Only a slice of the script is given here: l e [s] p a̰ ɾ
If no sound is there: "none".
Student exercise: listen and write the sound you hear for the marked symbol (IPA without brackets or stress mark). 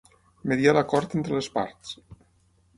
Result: s